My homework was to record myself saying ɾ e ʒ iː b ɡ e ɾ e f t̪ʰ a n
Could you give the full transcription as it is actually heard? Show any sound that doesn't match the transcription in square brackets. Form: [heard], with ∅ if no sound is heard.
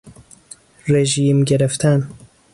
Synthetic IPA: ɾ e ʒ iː [m] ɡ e ɾ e f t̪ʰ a n